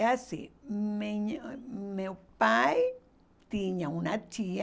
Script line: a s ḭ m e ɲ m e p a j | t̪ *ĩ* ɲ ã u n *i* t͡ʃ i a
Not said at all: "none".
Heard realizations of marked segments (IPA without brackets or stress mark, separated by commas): i, a